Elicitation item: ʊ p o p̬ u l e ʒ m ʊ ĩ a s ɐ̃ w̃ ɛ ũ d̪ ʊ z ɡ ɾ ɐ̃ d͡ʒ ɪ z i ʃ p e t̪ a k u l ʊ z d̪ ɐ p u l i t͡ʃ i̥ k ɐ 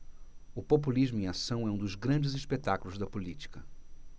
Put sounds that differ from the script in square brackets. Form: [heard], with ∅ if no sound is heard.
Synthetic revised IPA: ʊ p o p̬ u l [i] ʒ m ʊ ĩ a s ɐ̃ w̃ ɛ ũ d̪ ʊ z ɡ ɾ ɐ̃ d͡ʒ ɪ z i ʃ p e t̪ a k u l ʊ z d̪ ɐ p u l i t͡ʃ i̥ k ɐ